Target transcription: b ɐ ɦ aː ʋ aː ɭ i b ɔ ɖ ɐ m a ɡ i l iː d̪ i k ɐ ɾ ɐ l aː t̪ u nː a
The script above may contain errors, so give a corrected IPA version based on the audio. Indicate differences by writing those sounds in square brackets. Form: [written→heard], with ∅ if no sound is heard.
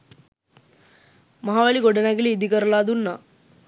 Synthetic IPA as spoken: [b→m] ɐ ɦ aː ʋ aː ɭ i [b→ɡ] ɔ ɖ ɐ [m→n] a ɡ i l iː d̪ i k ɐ ɾ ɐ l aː [t̪→d̪] u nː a